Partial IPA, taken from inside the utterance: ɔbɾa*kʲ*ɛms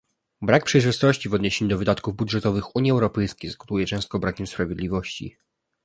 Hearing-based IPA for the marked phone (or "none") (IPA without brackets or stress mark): kʲ